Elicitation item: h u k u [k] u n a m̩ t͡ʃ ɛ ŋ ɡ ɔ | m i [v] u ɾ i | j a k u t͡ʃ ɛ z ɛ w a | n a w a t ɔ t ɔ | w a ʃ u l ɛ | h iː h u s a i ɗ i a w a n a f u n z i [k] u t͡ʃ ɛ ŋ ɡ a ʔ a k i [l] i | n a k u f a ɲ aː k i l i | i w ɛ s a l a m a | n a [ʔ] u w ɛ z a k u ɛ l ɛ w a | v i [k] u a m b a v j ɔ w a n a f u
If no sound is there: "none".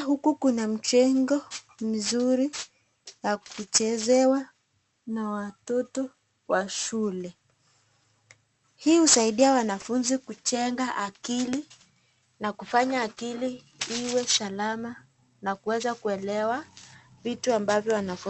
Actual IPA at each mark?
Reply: k, z, k, l, k, t

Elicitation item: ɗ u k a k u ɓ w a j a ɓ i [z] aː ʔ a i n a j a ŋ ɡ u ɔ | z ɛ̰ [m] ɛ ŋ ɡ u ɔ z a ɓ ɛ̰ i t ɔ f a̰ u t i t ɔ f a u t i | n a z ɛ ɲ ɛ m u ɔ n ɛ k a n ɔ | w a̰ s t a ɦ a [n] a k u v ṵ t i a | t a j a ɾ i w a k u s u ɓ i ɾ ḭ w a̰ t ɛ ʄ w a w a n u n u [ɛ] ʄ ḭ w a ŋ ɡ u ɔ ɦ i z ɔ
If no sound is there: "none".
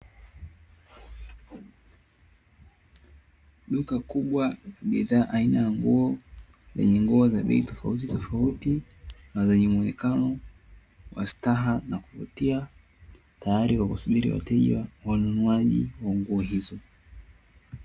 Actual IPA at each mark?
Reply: ð, ɲ, n, a

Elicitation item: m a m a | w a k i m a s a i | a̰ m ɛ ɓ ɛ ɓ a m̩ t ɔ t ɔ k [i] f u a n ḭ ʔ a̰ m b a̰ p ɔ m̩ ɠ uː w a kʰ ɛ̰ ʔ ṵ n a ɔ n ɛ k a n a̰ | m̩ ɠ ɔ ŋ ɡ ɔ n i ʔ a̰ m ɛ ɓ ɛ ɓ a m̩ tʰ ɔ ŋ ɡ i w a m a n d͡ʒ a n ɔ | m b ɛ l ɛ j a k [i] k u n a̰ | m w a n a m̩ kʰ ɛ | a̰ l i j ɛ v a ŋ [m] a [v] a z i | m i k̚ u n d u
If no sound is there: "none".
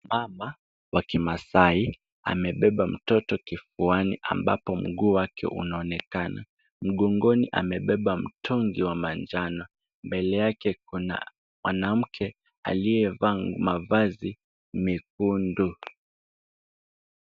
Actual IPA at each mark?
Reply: i, ɛ, m, v

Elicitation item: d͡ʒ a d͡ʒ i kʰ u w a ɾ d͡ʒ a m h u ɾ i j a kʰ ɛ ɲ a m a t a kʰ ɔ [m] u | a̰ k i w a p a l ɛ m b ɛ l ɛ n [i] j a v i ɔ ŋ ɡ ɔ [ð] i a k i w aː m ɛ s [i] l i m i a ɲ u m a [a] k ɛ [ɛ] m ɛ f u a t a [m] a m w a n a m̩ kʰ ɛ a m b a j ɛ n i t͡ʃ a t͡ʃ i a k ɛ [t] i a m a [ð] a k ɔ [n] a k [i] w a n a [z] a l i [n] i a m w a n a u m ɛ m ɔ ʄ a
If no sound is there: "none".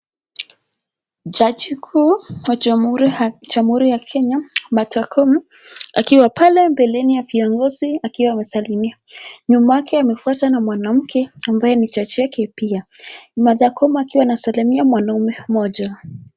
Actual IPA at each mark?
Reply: m, i, z, a, a, a, n, p, ð, m, i, s, m

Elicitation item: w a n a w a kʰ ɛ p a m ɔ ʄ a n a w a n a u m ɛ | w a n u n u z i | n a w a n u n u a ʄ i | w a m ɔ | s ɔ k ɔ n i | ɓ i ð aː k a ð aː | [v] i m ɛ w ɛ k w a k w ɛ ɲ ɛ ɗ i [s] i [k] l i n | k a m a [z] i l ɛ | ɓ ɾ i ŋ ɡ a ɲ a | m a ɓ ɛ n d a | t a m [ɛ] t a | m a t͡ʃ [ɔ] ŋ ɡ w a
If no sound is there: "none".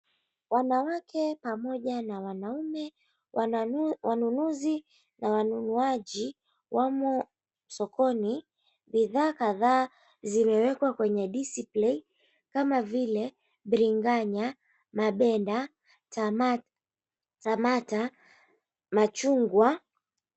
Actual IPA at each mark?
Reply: z, s, p, v, a, u

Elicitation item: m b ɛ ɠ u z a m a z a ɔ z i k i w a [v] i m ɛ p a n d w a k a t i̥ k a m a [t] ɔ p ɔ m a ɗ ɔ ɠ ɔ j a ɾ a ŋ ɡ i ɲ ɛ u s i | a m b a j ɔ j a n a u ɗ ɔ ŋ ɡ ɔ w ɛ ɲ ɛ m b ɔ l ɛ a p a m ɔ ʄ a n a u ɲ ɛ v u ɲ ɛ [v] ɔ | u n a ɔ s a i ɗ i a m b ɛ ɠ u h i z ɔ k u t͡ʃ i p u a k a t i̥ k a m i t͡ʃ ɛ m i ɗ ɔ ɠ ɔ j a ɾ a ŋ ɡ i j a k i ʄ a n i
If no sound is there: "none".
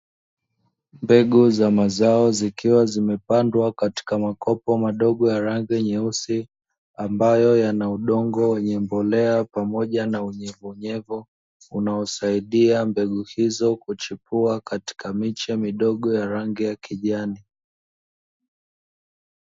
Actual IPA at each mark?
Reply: z, k, v

